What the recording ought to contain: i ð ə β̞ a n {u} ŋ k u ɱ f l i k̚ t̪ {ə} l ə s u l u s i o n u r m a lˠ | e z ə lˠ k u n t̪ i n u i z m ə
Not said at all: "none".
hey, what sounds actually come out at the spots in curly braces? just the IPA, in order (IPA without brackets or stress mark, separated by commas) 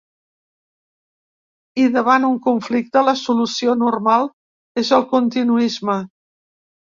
u, ə